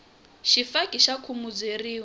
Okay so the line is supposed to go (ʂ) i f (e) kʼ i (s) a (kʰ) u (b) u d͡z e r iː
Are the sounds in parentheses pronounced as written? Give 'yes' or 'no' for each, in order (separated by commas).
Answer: no, no, no, yes, no